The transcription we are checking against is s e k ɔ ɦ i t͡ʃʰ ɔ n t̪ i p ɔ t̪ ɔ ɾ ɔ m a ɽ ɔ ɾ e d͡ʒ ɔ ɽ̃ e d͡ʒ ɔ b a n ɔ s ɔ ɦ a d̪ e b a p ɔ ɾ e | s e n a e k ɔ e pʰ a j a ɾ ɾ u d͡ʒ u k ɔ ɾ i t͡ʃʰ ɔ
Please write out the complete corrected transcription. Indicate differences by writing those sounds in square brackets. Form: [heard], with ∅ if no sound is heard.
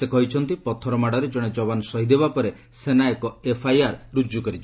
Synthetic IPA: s e k ɔ ɦ i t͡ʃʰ ɔ n t̪ i p ɔ [t̪ʰ] ɔ ɾ ɔ m a ɽ ɔ ɾ e d͡ʒ ɔ ɽ̃ e d͡ʒ ɔ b a n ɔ s ɔ ɦ [i] d̪ e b a p ɔ ɾ e | s e n a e k ɔ e pʰ a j a ɾ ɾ u d͡ʒ u k ɔ ɾ i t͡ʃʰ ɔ